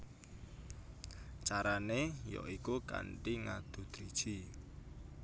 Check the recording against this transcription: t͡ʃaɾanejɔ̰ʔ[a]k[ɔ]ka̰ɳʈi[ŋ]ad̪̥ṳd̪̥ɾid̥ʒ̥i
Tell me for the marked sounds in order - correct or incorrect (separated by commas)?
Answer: incorrect, incorrect, correct